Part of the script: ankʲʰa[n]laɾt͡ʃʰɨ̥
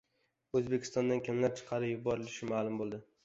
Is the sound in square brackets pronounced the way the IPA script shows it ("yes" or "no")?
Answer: no